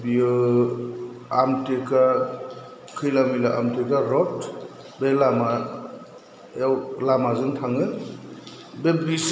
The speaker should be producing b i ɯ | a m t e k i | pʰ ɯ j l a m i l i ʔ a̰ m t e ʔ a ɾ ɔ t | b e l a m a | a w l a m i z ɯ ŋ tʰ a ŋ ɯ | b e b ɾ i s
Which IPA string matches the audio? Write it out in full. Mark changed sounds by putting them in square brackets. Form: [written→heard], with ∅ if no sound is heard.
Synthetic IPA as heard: b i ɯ | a m t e k [i→a] | [pʰ→kʰ] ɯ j l a m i l [i→a] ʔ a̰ m t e [ʔ→k] a ɾ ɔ t | b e l a m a | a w l a m [i→a] z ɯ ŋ tʰ a ŋ ɯ | b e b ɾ i s